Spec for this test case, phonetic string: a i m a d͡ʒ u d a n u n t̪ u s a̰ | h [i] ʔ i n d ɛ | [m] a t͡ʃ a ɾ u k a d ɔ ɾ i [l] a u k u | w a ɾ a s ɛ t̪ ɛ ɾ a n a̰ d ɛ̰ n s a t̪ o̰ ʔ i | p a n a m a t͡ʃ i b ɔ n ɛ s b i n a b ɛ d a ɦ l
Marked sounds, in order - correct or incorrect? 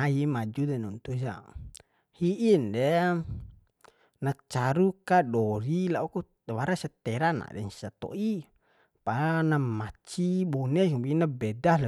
correct, incorrect: n, correct

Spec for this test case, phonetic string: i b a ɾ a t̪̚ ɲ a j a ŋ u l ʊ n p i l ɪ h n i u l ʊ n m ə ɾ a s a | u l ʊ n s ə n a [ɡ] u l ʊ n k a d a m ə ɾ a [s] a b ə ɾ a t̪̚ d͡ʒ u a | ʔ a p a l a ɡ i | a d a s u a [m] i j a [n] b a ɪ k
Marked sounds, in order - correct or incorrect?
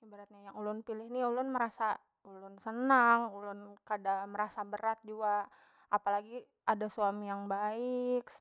incorrect: ŋ, correct, correct, incorrect: ŋ

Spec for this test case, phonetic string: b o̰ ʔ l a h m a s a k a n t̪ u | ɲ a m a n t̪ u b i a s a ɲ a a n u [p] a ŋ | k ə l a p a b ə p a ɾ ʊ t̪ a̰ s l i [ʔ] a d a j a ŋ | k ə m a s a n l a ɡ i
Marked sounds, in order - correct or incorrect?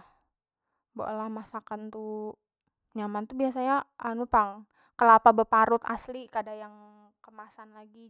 correct, incorrect: k

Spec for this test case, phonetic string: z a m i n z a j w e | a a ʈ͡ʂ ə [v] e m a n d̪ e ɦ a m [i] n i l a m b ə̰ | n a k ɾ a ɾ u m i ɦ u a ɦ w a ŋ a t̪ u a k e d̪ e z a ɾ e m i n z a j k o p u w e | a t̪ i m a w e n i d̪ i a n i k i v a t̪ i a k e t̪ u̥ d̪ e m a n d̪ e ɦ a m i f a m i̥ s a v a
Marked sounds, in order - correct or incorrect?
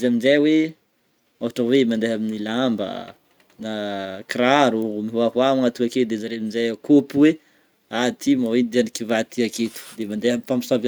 incorrect: w, correct

